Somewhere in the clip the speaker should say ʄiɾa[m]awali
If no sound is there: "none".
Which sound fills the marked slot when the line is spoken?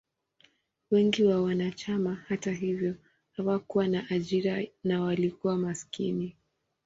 n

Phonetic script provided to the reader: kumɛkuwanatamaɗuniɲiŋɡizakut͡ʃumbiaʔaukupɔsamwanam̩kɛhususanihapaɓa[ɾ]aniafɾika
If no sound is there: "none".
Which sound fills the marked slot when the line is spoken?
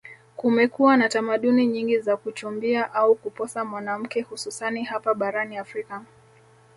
ɾ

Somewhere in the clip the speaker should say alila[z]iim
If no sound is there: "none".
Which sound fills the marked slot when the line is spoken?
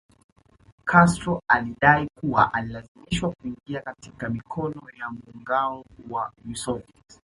z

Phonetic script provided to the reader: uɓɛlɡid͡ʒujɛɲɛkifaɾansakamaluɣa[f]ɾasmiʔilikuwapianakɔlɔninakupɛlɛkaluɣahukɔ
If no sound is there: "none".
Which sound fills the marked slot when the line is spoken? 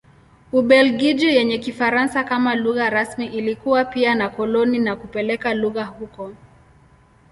none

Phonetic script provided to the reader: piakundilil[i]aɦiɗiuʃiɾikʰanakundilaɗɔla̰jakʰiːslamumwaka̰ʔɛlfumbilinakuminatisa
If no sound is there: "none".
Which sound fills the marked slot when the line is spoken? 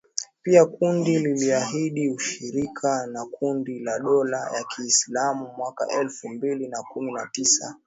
i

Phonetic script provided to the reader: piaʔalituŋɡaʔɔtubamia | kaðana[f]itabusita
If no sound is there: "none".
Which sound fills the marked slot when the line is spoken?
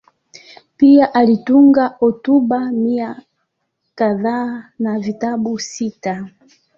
v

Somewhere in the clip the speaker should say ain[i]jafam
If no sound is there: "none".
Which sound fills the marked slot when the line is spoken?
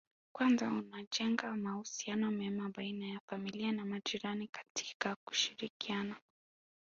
a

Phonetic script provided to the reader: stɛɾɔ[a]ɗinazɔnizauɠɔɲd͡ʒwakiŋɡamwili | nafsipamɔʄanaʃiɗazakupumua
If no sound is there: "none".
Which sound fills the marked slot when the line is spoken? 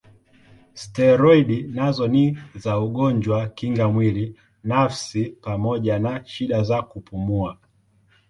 i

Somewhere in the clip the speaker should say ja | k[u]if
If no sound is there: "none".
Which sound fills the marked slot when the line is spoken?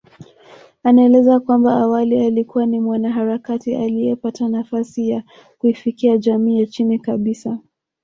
u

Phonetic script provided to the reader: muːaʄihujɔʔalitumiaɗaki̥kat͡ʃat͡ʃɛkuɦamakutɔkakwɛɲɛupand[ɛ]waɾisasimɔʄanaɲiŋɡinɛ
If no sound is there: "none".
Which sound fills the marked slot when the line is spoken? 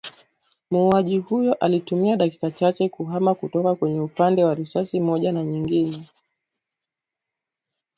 ɛ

